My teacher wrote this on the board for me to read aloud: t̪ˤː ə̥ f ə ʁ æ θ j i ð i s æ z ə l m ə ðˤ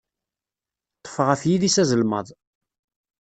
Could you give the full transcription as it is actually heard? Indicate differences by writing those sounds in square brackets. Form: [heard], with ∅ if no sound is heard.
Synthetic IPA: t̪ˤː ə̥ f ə ʁ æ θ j i ð i s æ z ə l m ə ðˤ